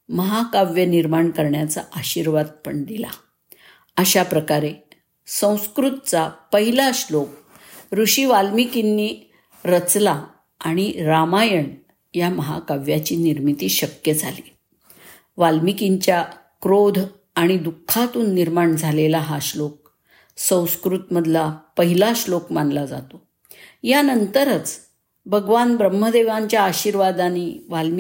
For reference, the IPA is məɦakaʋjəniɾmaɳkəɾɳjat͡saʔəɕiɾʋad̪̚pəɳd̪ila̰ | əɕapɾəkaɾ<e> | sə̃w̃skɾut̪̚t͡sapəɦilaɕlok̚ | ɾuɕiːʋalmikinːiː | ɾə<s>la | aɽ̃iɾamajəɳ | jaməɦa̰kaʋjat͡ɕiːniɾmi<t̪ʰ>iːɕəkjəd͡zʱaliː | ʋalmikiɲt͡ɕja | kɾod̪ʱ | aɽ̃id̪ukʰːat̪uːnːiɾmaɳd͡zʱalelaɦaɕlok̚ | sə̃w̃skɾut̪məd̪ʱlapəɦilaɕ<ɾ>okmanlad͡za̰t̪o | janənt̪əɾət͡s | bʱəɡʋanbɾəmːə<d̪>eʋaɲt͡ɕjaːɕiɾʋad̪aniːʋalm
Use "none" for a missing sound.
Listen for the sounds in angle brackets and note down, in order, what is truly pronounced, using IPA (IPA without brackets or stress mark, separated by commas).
e, t͡s, t̪, l, d̪